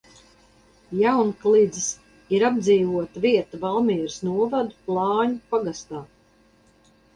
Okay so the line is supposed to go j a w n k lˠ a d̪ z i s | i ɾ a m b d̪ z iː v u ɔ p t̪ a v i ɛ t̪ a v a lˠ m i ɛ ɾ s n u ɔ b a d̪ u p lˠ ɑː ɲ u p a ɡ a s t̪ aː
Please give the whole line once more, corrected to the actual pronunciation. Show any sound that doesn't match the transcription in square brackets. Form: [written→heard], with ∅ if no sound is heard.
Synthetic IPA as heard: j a w n k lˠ [a→i] d̪ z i s | i ɾ a [m→∅] b d̪ z iː v u ɔ [p→∅] t̪ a v i ɛ t̪ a v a lˠ m i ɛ ɾ s n u ɔ [b→v] a d̪ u p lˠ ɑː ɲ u p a ɡ a s t̪ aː